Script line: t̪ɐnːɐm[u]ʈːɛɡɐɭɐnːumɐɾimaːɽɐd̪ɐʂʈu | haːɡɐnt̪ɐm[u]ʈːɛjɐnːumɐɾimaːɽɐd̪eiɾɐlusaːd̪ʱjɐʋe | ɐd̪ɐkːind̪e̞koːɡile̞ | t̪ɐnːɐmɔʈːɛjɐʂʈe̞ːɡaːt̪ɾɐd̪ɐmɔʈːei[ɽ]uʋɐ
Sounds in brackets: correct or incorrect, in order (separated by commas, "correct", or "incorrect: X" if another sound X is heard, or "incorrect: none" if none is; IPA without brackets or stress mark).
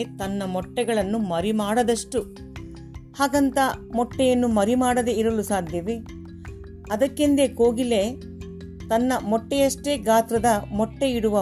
incorrect: ɔ, incorrect: ɔ, correct